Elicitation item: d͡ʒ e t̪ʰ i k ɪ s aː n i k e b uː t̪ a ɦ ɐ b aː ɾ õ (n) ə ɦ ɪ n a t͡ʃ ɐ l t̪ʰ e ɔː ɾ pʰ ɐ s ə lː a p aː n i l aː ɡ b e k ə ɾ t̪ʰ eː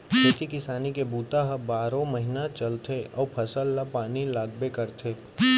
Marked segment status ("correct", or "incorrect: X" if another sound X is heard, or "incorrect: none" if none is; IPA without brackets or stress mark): incorrect: m